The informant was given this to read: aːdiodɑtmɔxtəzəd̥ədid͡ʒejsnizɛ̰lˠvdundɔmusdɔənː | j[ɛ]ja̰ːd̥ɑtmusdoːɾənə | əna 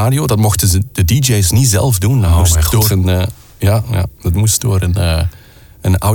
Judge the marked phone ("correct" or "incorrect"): incorrect